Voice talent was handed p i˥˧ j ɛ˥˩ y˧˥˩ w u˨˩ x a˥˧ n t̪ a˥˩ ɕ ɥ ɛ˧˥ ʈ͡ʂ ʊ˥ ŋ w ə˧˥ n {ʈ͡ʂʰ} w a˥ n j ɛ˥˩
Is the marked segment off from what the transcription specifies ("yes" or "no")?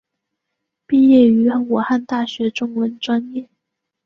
yes